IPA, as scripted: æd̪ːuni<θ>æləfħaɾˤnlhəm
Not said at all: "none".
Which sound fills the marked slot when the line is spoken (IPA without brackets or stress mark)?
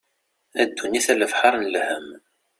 θ